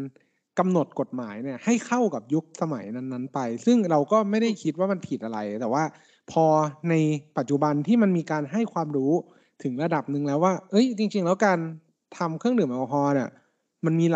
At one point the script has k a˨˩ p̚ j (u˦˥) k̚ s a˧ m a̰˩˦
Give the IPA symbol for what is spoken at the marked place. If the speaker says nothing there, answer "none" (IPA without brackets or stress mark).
u˦˥